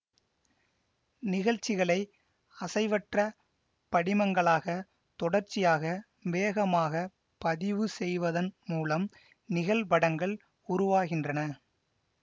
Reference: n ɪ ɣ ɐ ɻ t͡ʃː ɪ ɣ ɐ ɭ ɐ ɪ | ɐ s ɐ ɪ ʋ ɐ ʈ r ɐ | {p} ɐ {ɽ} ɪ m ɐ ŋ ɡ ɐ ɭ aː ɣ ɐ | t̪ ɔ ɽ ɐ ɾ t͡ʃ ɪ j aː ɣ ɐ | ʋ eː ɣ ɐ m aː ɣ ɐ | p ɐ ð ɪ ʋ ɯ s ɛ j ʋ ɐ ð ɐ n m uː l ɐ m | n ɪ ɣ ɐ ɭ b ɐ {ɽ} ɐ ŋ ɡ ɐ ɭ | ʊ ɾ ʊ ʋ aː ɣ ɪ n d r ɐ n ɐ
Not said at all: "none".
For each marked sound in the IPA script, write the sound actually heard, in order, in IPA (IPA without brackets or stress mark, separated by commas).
p, ɽ, ɽ